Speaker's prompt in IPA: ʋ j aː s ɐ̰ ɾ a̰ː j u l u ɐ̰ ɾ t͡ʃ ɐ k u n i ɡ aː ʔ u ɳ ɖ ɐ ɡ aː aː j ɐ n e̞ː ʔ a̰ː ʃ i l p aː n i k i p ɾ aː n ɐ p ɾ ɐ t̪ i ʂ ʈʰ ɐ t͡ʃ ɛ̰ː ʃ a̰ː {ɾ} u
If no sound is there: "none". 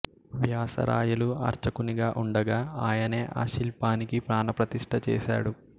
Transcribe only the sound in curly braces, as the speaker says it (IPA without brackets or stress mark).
ɽ